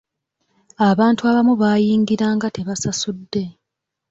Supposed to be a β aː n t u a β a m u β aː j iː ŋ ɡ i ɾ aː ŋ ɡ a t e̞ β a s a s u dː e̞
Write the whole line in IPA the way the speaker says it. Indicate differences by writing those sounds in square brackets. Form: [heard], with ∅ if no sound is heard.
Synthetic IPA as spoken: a β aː n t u a β a m u β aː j iː ŋ ɡ i ɾ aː ŋ ɡ a t e̞ β a s a s u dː e̞